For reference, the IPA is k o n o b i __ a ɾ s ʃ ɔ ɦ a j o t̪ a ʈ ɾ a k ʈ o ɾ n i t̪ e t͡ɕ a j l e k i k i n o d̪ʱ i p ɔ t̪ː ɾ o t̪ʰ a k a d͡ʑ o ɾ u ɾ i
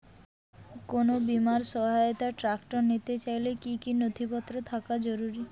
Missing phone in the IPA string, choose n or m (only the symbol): m